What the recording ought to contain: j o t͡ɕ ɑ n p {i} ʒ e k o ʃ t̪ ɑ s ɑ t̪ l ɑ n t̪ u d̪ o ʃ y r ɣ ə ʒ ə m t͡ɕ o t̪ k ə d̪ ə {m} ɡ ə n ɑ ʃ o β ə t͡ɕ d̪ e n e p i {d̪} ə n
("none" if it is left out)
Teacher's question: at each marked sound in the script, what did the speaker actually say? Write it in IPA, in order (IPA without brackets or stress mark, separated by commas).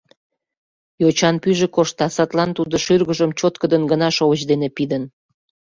y, n, d̪